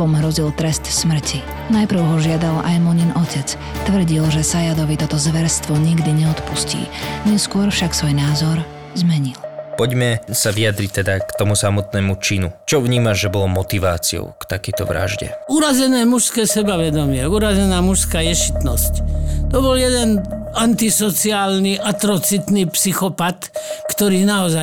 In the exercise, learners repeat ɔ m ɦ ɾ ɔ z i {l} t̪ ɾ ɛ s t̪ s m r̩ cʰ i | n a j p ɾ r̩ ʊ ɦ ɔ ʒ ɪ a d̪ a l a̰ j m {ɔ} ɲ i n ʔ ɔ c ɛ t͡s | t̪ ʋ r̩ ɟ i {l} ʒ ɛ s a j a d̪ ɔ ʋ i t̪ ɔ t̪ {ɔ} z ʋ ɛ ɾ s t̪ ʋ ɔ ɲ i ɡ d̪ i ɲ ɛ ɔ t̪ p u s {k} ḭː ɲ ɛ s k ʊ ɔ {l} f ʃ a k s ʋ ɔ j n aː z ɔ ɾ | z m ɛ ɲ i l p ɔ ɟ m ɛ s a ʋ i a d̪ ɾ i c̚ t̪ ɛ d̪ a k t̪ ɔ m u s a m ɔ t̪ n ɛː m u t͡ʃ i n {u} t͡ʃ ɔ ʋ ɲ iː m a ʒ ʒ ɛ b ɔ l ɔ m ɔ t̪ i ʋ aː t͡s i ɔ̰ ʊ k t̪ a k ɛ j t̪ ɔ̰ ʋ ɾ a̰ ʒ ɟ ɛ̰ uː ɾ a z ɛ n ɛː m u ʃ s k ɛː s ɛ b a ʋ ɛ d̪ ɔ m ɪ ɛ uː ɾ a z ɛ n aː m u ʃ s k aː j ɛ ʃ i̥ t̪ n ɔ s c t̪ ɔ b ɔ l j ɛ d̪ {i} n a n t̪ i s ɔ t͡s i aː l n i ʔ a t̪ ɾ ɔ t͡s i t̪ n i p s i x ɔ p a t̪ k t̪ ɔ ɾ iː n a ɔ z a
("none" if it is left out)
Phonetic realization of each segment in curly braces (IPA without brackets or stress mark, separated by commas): l, ɔ, l, ɔ, c, ɾ, u, ɛ